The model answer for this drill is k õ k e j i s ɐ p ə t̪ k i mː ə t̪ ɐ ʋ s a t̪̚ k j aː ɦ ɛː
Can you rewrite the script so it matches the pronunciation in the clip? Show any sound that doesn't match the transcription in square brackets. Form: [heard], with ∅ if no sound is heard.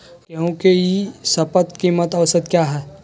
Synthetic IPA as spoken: k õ k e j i s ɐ p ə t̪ k i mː ə t̪ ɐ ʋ s [ə] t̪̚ k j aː ɦ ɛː